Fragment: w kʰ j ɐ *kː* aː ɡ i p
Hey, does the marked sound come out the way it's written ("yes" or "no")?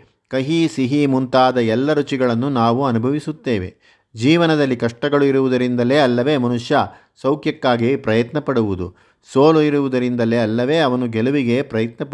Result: yes